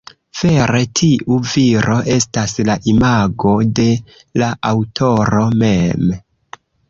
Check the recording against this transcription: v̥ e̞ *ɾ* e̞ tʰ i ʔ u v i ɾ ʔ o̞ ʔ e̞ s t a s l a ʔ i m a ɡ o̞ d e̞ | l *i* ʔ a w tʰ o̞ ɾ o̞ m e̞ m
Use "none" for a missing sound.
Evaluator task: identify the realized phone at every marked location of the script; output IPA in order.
ɾ, a

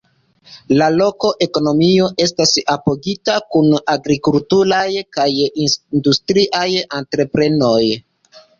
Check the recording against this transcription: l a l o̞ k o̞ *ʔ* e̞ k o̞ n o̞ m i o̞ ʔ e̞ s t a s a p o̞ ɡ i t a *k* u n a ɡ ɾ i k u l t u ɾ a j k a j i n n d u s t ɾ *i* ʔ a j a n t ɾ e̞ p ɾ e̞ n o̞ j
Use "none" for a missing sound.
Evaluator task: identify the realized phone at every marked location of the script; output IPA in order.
ʔ, k, i

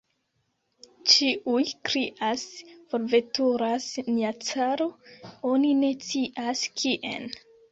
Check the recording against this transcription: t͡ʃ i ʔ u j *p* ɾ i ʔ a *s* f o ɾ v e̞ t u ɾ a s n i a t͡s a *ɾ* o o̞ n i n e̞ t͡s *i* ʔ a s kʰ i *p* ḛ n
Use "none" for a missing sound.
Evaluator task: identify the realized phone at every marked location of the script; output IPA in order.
k, s, ɾ, i, ʔ

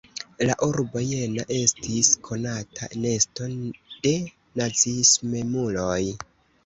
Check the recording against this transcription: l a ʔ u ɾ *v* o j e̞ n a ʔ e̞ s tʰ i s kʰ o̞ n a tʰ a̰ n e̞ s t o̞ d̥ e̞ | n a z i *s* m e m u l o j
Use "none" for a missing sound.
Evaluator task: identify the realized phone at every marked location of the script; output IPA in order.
b, s

